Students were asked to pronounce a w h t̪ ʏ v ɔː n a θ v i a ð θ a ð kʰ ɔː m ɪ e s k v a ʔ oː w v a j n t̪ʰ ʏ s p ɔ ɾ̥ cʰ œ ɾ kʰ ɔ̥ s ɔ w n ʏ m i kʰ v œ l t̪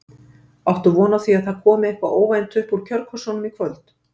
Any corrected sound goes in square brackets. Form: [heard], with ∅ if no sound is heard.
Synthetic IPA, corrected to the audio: a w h t̪ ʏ v ɔː n a θ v i a ð θ a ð kʰ ɔː m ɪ e [h] k v a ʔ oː w v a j n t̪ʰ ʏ [h] p [u] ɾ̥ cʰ œ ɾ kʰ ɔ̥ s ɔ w n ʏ m i kʰ v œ l t̪